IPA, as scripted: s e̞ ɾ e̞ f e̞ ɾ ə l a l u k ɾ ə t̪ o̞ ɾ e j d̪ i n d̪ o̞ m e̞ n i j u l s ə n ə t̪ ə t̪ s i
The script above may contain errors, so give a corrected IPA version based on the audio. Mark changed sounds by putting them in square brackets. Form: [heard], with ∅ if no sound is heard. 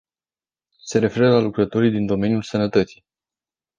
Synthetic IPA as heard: s e̞ ɾ e̞ f e̞ ɾ ə l a l u k ɾ ə t̪ o̞ ɾ [i] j d̪ i n d̪ o̞ m e̞ n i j u l s ə n ə t̪ ə t̪ s i

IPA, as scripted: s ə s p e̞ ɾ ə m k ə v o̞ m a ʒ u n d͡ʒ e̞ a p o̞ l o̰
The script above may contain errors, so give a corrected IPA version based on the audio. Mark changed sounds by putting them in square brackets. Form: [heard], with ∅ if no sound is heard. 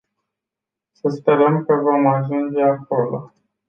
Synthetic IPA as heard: s ə s p e̞ ɾ ə m k ə v o̞ m a ʒ u n d͡ʒ e̞ a [k] o̞ l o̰

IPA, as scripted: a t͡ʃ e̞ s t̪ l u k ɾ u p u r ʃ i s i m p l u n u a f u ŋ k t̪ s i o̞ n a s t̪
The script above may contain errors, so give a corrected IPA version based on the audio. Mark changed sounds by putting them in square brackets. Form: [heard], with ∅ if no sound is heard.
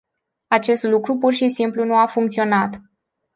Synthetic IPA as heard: a t͡ʃ e̞ s t̪ l u k ɾ u p u r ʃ i s i m p l u n u a f u ŋ k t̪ s i o̞ n a [∅] t̪

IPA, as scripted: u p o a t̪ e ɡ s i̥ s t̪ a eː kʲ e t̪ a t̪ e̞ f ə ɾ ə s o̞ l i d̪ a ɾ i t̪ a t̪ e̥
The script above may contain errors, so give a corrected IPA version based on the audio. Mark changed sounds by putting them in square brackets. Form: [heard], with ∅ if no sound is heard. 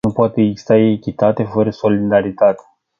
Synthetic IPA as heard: u p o a t̪ e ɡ [z] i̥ s t̪ a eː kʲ [i] t̪ a t̪ e̞ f ə ɾ ə s o̞ l i d̪ a ɾ i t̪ a t̪ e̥

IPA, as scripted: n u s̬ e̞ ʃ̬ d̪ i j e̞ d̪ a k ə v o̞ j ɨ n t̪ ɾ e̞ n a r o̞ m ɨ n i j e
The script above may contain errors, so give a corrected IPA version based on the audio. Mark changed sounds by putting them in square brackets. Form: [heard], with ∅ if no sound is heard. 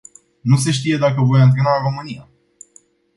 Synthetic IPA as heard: n u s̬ e̞ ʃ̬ [t̪] i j e̞ d̪ a k ə v o̞ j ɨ n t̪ ɾ e̞ n a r o̞ m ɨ n i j [a]

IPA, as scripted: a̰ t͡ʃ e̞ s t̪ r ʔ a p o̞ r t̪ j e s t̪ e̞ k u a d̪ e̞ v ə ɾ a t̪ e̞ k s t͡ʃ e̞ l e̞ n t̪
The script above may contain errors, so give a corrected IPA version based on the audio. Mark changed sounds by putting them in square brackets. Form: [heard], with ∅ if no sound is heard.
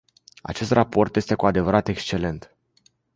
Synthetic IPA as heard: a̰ t͡ʃ e̞ s t̪ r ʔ a p o̞ r t̪ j e s t̪ e̞ k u a d̪ e̞ v ə ɾ a t̪ e̞ k s t͡ʃ e̞ l e̞ n t̪

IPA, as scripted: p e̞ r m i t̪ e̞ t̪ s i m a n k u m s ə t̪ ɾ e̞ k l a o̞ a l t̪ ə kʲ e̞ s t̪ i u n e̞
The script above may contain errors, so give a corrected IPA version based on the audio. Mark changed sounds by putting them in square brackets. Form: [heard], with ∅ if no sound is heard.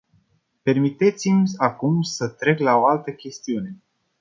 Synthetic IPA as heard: p e̞ r m i t̪ e̞ t̪ s i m a [∅] k u m s ə t̪ ɾ e̞ k l a o̞ a l t̪ ə kʲ e̞ s t̪ i u n e̞

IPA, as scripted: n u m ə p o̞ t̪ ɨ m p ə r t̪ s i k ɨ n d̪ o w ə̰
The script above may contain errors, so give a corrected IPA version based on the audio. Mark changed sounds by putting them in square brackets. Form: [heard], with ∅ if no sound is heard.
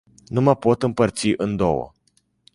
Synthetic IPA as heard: n u m ə p o̞ t̪ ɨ m p ə r t̪ s i [ʔ] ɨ n d̪ o w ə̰

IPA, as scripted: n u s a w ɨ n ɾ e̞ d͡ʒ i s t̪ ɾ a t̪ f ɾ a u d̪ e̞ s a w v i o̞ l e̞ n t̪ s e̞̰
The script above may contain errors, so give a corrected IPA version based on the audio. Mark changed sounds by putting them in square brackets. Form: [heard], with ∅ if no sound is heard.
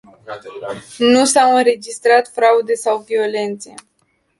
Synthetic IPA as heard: n u s a w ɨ n ɾ e̞ d͡ʒ i s t̪ ɾ a t̪ f ɾ a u d̪ e̞ s a w v i o̞ l e̞ n t̪ s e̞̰

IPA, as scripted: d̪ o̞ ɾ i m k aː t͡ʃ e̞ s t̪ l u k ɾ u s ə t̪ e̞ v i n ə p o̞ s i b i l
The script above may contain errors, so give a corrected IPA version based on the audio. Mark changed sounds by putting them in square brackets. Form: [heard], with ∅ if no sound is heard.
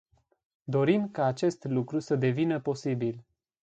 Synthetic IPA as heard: d̪ o̞ ɾ i m k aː t͡ʃ e̞ s t̪ l u k ɾ u s ə [d̪] e̞ v i n ə p o̞ s i b i l

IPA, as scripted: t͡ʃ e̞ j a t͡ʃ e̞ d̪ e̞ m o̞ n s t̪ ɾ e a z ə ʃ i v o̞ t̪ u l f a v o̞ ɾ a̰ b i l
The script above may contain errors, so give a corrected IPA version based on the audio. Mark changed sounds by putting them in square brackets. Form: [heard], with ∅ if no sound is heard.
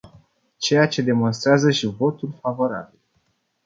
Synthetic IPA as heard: t͡ʃ e̞ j a t͡ʃ e̞ d̪ e̞ m o̞ n s t̪ ɾ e a z ə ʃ i v o̞ t̪ u l f a v o̞ ɾ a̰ b i l

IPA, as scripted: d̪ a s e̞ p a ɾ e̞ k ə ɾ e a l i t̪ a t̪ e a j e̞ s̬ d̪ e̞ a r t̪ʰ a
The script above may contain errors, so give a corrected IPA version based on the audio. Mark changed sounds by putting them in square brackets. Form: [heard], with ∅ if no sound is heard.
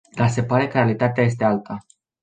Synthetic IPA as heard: d̪ a s e̞ p a ɾ e̞ k ə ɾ e a l i t̪ a t̪ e a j e̞ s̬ [t̪] e̞ a [l] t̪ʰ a

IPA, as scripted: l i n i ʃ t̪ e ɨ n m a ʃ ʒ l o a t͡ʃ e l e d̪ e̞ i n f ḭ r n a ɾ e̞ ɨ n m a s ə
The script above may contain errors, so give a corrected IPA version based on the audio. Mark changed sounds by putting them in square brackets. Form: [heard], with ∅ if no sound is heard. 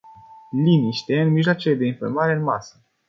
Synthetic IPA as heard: l i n i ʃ t̪ e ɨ n m [i] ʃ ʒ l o a t͡ʃ e l e d̪ e̞ i n f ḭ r [m] a ɾ e̞ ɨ n m a s ə

